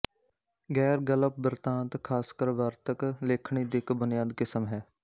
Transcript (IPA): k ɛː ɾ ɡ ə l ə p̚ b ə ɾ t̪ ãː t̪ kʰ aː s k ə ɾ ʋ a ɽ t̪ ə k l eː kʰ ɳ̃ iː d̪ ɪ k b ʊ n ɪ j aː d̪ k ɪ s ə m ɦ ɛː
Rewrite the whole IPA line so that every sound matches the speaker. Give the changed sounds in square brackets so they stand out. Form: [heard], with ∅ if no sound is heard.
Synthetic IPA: [ɡ] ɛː ɾ ɡ ə l ə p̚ b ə ɾ t̪ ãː t̪ kʰ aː s k ə ɾ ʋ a [ɾ] t̪ ə k l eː kʰ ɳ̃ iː d̪ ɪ k b ʊ n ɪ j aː d̪ k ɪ s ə m ɦ ɛː